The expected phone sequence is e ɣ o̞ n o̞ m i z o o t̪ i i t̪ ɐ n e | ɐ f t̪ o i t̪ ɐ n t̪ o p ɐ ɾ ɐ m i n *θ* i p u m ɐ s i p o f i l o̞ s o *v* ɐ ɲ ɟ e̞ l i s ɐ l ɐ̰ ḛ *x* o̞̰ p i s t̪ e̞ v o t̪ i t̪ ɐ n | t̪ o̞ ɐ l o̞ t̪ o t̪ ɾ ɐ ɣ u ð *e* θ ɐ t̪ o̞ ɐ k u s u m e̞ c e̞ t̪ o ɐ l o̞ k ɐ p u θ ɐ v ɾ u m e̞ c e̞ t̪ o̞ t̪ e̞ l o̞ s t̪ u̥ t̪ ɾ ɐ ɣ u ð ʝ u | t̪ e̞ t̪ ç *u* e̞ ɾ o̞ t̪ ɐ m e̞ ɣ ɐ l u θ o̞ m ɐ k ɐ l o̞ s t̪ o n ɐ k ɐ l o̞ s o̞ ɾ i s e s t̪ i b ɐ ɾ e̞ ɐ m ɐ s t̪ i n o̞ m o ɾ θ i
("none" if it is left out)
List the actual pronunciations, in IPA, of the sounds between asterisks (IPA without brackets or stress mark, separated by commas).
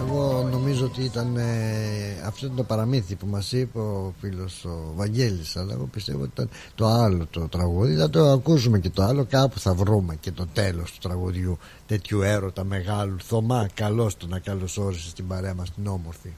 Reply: θ, v, ɣ, i, u